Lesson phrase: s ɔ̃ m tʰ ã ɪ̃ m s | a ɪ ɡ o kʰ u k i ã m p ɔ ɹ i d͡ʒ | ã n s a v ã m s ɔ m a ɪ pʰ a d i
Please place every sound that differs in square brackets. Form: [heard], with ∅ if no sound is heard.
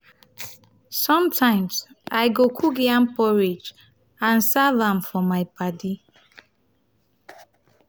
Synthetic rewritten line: s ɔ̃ m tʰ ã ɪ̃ m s | a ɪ ɡ o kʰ u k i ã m p ɔ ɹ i d͡ʒ | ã n s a v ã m [f] ɔ m a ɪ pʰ a d i